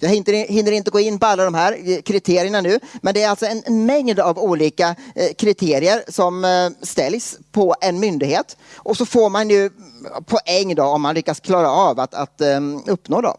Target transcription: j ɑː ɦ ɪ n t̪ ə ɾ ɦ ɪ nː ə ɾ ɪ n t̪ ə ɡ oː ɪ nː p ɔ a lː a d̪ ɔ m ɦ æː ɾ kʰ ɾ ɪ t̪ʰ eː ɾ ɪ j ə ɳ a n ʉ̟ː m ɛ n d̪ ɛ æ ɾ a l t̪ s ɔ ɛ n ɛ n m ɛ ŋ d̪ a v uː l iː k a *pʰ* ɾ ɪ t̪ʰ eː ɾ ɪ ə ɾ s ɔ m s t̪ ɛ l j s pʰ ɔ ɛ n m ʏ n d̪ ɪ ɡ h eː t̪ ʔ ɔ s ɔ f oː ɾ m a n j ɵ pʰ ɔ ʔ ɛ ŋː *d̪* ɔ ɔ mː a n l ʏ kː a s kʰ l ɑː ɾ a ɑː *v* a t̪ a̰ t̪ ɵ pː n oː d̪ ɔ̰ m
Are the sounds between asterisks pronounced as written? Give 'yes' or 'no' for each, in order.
no, yes, yes

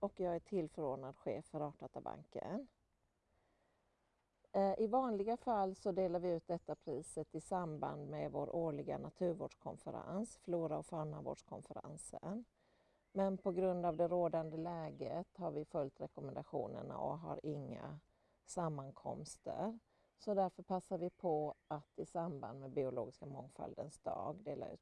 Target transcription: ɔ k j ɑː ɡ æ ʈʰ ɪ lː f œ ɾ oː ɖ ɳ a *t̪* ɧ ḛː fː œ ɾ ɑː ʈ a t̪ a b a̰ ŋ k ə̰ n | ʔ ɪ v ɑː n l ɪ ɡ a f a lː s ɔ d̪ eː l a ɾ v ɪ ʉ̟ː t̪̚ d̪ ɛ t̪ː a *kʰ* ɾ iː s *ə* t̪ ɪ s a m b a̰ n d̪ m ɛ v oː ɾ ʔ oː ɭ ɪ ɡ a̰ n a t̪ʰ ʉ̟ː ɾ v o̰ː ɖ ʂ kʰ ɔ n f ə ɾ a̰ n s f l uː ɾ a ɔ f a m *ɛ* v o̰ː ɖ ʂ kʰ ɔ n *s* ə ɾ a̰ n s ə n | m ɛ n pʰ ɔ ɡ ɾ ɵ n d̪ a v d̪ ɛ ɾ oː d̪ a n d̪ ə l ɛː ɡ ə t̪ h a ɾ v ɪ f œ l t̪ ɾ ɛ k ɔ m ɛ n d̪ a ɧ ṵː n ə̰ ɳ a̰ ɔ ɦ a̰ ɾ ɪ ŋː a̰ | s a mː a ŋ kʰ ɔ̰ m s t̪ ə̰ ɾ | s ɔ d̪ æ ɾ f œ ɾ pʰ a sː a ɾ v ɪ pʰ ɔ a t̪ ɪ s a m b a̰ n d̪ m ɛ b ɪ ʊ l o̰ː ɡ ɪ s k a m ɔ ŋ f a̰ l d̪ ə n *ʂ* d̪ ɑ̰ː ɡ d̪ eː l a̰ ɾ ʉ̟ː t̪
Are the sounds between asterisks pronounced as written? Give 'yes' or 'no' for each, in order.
no, no, yes, no, no, no

